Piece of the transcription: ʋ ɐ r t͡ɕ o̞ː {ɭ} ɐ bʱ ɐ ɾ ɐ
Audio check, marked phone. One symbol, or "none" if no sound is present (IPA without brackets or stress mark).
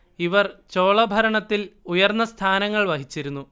ɭ